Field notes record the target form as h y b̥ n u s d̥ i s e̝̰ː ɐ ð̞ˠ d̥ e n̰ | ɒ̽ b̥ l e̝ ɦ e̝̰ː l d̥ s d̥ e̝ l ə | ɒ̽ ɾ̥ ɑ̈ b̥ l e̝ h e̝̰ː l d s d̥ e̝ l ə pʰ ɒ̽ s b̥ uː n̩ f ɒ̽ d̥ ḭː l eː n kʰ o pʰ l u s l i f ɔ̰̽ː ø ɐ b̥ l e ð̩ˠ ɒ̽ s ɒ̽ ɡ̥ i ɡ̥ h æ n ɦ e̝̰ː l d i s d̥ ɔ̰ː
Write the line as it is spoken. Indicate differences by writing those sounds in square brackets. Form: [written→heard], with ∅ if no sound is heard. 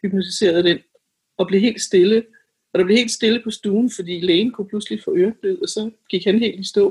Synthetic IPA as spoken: h y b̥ n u s d̥ i s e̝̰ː ɐ ð̞ˠ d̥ e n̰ | ɒ̽ b̥ l e̝ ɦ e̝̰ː l d̥ s d̥ e̝ l ə | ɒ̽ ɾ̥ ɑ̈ b̥ l e̝ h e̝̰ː l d s d̥ e̝ l ə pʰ ɒ̽ s [b̥→d̥] uː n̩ f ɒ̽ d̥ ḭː l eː n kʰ [o→u] pʰ l u s l i f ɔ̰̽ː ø ɐ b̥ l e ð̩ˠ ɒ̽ s ɒ̽ ɡ̥ i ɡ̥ h æ n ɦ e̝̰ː l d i s d̥ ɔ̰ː